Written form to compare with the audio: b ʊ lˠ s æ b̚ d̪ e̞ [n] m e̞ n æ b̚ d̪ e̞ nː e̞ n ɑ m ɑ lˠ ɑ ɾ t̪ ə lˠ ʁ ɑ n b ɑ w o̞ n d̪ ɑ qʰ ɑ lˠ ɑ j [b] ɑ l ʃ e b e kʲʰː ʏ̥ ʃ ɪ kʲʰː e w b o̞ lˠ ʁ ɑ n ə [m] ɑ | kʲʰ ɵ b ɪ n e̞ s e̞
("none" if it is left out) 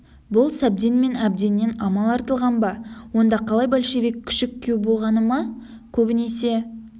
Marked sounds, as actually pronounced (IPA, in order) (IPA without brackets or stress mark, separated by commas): n, b, m